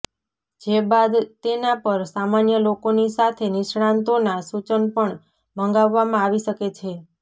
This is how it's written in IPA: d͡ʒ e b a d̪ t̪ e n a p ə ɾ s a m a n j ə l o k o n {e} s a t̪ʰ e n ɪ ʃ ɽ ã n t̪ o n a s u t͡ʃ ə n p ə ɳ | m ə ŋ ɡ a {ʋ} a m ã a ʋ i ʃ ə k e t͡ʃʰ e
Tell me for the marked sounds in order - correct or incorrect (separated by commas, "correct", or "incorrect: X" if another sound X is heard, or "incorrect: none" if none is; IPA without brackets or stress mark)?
incorrect: i, incorrect: ʋː